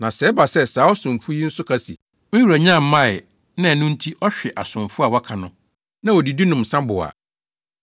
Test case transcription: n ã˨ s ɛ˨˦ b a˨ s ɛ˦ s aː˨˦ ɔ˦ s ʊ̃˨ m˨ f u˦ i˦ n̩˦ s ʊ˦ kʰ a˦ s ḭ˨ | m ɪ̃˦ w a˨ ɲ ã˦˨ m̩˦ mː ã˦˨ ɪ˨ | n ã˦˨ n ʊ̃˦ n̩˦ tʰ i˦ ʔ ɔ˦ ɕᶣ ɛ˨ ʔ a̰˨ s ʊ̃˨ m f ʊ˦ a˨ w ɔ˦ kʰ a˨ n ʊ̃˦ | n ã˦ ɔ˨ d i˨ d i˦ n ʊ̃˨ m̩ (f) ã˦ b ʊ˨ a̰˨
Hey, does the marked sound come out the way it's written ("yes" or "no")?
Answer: no